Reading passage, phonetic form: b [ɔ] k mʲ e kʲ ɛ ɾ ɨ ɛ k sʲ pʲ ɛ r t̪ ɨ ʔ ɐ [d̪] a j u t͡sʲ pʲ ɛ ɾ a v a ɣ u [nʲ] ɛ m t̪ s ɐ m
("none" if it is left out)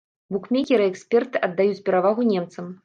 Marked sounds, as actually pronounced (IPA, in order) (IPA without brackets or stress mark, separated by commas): u, d̪ː, nʲ